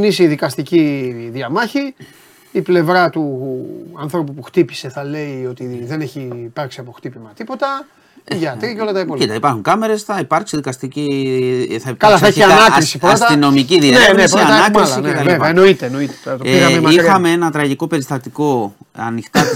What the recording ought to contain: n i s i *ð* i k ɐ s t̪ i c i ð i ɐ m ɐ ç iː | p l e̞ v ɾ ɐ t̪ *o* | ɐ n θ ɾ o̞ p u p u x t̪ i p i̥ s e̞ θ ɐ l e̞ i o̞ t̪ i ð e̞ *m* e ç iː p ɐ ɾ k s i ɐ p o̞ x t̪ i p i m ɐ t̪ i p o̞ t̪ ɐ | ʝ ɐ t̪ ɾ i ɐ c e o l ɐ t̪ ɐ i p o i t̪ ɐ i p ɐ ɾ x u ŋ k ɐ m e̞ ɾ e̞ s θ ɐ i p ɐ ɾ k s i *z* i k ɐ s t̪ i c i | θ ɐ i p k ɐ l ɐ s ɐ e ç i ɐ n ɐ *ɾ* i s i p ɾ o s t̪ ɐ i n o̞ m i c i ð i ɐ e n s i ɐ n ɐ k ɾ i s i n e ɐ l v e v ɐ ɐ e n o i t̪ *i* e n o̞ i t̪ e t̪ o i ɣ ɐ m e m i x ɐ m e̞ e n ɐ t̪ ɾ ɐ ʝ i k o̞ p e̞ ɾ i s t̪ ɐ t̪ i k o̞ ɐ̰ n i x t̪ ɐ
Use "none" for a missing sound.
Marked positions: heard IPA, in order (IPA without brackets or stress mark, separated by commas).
ð, u, n, ð, ɾ, e